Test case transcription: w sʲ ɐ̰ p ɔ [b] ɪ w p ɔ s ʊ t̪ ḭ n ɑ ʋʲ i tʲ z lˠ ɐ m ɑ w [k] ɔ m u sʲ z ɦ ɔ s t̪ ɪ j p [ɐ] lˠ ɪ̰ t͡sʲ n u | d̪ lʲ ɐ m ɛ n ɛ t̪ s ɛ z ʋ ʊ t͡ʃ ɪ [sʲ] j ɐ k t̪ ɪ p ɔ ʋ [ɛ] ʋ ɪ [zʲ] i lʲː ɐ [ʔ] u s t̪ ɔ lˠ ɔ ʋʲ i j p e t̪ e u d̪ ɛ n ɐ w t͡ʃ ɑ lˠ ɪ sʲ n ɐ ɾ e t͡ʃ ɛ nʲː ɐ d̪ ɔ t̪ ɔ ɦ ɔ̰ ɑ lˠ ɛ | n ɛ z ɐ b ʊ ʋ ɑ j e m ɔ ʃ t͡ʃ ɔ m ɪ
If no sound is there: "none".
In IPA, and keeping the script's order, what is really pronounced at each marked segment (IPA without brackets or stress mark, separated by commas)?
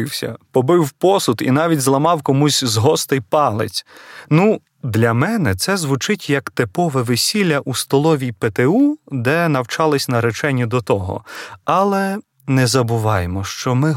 b, k, ɑ, tʲ, ɛ, sʲ, ʔ